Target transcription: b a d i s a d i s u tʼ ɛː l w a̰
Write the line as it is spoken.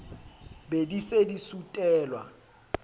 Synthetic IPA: b e d i s e d i s u tʼ ɛː l w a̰